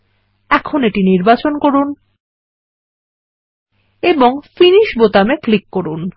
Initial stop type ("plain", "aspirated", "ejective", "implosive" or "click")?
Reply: aspirated